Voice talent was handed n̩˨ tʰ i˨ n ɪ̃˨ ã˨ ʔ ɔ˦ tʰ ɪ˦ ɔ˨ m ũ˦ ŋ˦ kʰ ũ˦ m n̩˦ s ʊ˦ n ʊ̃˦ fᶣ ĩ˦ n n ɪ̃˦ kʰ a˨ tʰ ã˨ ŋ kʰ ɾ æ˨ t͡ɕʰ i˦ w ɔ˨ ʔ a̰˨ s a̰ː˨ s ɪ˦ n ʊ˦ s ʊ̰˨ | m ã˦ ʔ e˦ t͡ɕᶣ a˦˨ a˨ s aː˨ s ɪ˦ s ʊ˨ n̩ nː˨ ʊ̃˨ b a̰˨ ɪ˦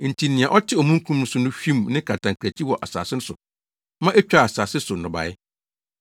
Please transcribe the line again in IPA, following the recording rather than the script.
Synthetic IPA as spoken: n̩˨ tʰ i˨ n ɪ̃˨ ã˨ ʔ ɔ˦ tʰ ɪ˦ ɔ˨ m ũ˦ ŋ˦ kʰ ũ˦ m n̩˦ s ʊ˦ n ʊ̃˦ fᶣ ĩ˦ m n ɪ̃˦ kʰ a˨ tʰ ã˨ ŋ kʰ ɾ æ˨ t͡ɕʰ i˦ w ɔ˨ ʔ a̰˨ s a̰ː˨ s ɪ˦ n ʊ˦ s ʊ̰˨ | m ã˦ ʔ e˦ t͡ɕᶣ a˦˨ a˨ s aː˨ s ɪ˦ s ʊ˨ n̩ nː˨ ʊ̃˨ b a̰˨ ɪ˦

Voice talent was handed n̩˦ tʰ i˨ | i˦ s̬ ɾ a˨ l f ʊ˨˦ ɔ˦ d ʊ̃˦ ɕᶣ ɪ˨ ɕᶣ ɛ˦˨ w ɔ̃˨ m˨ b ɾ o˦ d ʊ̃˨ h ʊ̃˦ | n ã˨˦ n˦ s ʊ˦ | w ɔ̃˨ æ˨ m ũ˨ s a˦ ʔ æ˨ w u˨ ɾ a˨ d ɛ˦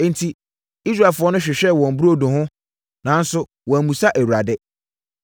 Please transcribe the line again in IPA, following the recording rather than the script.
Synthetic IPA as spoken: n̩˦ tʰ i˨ | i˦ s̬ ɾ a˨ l f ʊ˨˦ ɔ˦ n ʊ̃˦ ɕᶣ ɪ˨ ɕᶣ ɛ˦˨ w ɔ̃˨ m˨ b ɾ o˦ d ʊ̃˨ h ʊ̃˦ | n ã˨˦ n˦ s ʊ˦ | w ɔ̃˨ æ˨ m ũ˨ s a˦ ʔ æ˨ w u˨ ɾ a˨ d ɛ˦

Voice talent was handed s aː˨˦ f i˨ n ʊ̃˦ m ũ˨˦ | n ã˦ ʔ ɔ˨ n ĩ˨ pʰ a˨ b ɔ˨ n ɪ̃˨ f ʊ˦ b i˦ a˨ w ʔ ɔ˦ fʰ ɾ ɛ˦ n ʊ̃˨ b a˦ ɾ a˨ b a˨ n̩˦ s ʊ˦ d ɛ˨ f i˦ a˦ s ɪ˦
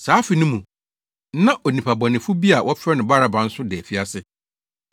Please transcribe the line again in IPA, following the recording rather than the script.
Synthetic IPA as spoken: s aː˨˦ f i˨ n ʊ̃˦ m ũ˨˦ | n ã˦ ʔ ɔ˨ n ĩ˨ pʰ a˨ b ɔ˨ n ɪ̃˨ f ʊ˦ b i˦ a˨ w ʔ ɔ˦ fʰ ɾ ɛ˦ n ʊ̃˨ b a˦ ɾ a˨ b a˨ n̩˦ s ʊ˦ d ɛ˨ f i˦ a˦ s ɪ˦

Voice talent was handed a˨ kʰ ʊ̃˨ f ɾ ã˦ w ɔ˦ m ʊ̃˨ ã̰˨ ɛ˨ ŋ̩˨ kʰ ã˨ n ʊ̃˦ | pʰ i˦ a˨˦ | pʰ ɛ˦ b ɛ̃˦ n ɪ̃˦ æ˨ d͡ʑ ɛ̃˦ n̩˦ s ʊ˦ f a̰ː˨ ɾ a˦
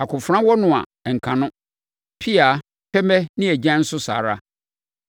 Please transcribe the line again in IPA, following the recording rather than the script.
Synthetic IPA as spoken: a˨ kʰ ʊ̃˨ f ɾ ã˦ w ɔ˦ n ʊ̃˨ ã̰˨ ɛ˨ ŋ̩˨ kʰ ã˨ n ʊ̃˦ | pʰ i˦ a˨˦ | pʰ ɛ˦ m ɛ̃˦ n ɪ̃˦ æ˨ d͡ʑ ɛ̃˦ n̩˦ s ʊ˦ s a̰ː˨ ɾ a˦

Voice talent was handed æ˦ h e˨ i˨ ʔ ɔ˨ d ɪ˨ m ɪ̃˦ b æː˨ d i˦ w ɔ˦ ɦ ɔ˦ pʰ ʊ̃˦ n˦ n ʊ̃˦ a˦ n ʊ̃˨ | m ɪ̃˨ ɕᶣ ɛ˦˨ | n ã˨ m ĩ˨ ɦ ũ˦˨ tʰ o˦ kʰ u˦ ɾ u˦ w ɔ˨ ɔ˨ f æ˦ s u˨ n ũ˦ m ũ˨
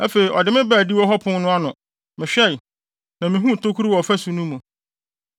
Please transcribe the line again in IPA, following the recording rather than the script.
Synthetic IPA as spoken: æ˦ f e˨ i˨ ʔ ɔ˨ d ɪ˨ m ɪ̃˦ b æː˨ d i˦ w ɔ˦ ɦ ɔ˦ pʰ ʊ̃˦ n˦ n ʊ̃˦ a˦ n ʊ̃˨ | m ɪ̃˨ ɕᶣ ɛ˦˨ | n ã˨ m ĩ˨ ɦ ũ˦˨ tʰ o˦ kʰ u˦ ɾ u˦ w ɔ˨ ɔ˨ f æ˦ s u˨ n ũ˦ m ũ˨

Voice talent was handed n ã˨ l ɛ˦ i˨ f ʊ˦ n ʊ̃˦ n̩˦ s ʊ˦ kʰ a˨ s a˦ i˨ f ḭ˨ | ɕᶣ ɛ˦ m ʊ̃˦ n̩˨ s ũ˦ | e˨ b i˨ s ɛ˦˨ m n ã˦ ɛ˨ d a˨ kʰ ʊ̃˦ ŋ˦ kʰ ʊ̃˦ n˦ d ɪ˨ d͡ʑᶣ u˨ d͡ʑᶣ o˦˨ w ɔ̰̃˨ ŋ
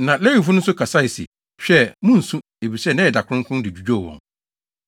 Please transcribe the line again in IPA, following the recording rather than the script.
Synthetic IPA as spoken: n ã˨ l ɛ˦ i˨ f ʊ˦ n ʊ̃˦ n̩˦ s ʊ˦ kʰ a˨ s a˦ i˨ s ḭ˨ | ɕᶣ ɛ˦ m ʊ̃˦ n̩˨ s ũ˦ | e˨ b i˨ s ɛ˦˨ n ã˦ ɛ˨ d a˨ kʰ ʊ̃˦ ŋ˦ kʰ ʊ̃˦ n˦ d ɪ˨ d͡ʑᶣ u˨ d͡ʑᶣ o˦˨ w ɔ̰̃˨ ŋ

